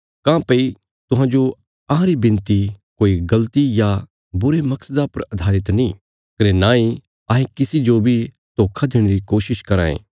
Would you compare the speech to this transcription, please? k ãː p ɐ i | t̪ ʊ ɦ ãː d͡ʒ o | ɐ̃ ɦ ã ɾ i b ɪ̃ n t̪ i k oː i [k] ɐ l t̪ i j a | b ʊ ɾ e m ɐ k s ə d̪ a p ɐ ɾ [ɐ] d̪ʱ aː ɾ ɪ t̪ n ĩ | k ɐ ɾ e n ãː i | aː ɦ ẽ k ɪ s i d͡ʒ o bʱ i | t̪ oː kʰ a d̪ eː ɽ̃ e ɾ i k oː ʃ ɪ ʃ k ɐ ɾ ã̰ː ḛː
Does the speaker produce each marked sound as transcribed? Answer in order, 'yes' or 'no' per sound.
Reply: no, yes

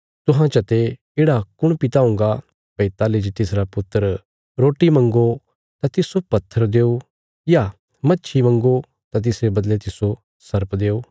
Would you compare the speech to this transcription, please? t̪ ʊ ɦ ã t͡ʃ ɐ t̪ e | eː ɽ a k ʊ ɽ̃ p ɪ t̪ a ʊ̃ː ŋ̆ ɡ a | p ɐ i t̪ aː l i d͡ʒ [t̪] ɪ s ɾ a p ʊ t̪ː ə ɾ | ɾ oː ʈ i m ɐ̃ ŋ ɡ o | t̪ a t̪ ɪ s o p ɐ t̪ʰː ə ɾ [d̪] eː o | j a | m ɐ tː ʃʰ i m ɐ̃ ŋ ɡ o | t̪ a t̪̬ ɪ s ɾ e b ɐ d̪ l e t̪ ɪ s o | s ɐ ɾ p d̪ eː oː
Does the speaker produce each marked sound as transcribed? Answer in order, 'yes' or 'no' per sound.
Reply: yes, yes

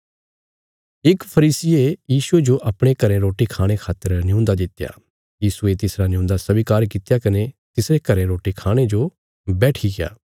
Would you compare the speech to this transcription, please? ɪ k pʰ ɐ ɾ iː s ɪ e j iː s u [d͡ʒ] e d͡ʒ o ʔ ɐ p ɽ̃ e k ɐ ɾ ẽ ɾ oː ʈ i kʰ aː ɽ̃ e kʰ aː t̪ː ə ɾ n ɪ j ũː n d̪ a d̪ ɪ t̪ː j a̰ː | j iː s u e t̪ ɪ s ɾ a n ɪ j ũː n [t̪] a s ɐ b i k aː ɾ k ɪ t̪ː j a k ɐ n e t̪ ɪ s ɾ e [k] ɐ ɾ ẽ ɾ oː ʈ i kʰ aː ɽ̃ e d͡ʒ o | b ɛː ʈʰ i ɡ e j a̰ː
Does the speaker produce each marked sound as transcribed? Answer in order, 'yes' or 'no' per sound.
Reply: no, no, yes

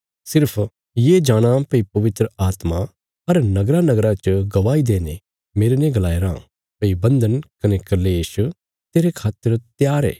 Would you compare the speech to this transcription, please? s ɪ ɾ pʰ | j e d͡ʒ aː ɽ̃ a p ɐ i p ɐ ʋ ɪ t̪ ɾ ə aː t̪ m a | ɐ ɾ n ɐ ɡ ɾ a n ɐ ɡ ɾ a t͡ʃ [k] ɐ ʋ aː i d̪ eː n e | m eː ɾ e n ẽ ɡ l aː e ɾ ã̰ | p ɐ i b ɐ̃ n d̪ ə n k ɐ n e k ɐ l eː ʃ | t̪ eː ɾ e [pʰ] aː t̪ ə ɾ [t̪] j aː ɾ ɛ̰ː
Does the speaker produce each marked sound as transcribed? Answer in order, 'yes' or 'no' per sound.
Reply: no, no, yes

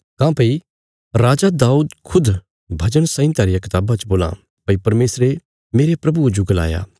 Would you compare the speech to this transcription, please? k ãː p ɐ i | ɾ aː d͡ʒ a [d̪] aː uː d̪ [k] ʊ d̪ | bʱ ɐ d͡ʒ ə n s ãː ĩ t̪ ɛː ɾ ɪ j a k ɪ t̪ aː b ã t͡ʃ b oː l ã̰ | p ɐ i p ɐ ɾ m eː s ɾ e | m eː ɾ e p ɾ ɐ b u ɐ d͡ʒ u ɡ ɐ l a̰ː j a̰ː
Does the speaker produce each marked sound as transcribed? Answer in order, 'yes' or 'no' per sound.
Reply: yes, no

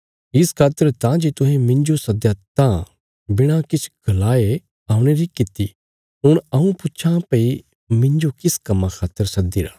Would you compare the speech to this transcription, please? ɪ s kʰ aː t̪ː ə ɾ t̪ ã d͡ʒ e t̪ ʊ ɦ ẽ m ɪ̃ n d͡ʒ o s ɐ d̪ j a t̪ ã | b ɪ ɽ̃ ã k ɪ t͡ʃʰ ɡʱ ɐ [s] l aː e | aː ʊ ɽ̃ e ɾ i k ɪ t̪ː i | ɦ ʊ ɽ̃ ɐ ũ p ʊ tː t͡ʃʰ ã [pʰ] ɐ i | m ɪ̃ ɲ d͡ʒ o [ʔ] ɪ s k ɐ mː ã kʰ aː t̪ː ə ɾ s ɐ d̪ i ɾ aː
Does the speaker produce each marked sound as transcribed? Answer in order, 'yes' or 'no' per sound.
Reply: no, no, no

